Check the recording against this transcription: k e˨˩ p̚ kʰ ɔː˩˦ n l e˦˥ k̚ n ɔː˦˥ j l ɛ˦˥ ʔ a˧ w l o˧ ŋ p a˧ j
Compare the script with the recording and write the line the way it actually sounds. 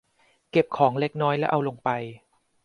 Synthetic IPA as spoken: k e˨˩ p̚ kʰ ɔː˩˦ ŋ l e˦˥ k̚ n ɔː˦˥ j l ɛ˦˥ ʔ a˧ w l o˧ ŋ p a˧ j